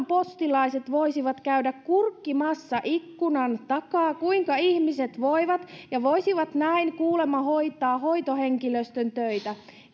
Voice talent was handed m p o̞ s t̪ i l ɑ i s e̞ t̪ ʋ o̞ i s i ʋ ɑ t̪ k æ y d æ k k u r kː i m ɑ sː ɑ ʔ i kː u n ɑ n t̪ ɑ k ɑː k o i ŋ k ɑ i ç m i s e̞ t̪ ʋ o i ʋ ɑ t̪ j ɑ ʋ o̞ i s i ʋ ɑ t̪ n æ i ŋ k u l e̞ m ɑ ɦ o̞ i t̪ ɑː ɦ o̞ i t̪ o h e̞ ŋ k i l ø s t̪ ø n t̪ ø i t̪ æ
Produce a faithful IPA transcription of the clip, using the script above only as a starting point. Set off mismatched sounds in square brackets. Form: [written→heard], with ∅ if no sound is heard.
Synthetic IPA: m p o̞ s t̪ i l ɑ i s e̞ t̪ ʋ o̞ i s i ʋ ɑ t̪ k æ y d æ k k u r kː i m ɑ sː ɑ ʔ i kː u n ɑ n t̪ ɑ k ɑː k [o→u] i ŋ k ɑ i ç m i s e̞ t̪ ʋ o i ʋ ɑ t̪ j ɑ ʋ o̞ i s i ʋ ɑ t̪ n æ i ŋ k [u→uː] l e̞ m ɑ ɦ o̞ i t̪ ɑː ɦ o̞ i t̪ o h e̞ ŋ k i l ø s t̪ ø n t̪ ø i t̪ æ